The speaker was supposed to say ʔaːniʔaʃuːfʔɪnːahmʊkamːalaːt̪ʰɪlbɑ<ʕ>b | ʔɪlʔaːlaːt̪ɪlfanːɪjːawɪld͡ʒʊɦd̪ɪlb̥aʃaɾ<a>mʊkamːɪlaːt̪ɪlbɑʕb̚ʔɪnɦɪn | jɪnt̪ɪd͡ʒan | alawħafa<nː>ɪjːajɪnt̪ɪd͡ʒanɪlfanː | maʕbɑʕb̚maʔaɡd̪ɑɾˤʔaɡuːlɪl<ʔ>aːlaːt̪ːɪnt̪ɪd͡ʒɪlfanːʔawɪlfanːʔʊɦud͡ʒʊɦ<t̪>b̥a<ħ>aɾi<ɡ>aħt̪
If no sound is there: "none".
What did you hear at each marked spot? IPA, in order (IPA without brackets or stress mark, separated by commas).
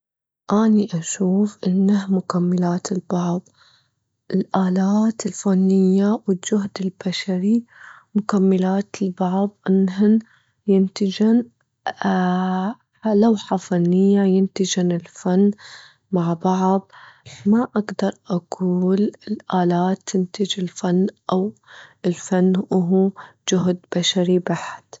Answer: ʕ, i, nː, ʔ, d̪, ʃ, b